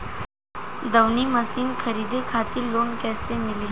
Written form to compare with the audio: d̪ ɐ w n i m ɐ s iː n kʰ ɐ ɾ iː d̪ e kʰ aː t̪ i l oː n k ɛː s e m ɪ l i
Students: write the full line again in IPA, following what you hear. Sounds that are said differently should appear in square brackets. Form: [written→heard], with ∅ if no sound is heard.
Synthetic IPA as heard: d̪ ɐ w n i m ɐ s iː n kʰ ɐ ɾ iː d̪ e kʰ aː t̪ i l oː n k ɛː s e m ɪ l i